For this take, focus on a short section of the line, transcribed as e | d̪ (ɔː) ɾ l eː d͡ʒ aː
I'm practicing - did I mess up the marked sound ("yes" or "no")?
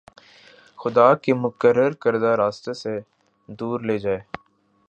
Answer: yes